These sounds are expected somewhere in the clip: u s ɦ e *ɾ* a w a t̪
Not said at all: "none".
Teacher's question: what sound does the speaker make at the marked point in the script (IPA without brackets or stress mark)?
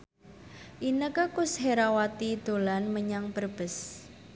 ɾ